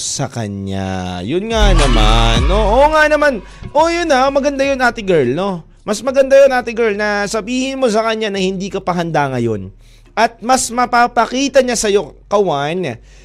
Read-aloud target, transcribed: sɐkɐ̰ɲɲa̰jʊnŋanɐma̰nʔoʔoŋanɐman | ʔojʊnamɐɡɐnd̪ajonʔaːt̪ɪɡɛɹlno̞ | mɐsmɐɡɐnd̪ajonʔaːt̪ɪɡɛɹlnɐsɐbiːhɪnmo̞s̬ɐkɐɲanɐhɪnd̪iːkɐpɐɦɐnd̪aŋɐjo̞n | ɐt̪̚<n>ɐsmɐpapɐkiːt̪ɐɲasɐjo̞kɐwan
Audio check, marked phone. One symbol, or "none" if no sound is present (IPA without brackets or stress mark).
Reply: m